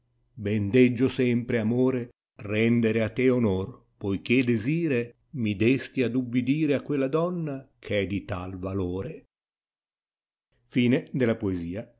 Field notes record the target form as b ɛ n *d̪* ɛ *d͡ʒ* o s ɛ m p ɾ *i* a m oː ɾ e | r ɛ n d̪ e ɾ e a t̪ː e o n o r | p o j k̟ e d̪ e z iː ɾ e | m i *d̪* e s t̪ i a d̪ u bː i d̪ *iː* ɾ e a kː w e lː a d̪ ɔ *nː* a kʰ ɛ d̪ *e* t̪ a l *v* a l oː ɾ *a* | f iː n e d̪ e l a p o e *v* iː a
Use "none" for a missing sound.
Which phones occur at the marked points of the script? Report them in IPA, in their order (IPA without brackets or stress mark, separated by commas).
d̪, d͡ʒː, e, d̪, iː, nː, i, v, e, z